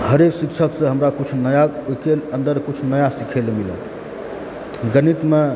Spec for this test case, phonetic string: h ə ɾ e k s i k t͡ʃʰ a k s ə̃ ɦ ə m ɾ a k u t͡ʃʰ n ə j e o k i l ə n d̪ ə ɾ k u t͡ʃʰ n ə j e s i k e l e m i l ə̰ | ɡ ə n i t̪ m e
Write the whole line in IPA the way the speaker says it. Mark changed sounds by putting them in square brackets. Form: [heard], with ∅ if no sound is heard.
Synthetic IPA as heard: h ə ɾ e k s i k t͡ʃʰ [ə] k s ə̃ ɦ ə m ɾ a k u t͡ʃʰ n ə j [a] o k [e] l ə n d̪ ə ɾ k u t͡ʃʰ n ə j [a] s i [kʰ] e l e m i l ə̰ | ɡ ə n i t̪ m e